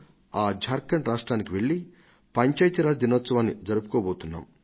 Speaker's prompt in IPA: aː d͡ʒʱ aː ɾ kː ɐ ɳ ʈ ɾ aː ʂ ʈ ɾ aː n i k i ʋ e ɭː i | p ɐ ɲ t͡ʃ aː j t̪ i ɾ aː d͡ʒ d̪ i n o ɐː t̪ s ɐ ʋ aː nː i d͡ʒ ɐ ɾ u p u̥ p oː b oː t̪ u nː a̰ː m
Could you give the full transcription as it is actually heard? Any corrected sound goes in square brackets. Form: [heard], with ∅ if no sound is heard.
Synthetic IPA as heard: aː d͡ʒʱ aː ɾ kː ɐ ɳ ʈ ɾ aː ʂ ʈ ɾ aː n i k i ʋ e ɭː i | p ɐ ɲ t͡ʃ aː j t̪ i ɾ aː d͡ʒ d̪ i n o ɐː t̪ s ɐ ʋ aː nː i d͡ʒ ɐ ɾ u p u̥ [k] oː b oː t̪ u nː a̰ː m